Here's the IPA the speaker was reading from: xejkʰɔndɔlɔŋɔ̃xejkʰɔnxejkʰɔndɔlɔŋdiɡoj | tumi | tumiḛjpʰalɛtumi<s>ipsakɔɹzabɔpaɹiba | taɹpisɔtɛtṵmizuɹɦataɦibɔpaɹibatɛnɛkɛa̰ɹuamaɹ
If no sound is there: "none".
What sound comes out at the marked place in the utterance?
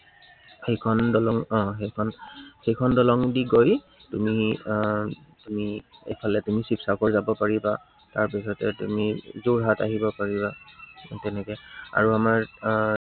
s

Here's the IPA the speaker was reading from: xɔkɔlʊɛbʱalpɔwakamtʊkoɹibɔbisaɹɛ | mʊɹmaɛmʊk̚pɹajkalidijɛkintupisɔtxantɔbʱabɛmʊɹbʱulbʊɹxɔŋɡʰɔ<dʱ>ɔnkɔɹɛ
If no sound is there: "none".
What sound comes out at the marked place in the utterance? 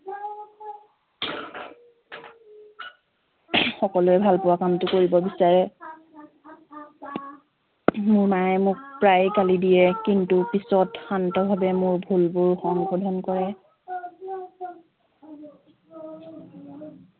dʱ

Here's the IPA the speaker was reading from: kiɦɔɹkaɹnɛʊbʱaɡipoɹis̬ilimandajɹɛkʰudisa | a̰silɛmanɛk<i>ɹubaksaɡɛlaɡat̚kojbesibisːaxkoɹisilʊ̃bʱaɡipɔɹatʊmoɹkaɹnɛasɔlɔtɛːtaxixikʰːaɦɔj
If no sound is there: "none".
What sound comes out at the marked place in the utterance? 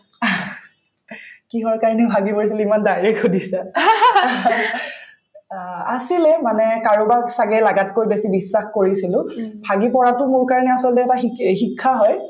a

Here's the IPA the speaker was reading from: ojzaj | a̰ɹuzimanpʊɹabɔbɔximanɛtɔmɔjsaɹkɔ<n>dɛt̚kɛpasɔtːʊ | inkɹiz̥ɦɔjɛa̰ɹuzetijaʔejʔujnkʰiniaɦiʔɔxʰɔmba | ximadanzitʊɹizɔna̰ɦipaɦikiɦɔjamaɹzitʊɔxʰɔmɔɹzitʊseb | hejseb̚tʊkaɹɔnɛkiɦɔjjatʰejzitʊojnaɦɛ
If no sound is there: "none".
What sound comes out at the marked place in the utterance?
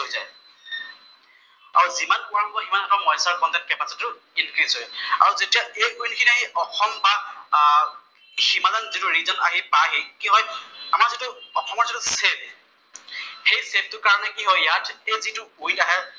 n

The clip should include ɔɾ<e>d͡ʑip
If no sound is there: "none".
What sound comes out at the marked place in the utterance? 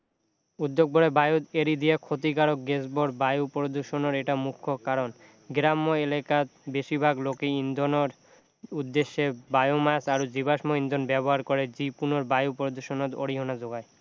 e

